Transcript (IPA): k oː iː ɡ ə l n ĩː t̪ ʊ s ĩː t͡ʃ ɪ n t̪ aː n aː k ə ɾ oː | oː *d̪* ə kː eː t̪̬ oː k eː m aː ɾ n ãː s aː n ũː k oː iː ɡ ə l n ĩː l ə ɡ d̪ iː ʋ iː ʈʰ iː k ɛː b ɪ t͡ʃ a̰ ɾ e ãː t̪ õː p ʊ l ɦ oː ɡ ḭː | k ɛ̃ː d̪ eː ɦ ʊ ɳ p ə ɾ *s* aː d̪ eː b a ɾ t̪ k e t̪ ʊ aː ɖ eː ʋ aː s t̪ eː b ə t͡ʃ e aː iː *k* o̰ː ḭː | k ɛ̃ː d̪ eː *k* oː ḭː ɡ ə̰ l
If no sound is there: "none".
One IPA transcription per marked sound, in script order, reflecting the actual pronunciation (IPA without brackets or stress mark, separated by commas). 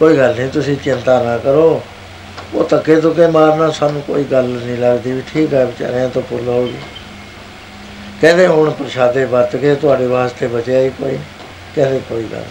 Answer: t̪, ʃ, k, k